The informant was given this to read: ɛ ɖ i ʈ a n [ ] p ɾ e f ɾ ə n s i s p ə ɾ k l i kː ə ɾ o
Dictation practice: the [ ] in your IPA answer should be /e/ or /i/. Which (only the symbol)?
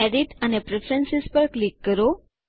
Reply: e